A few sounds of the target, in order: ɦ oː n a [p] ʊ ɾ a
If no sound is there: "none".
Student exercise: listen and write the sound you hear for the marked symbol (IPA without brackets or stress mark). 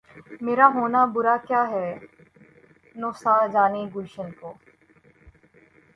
b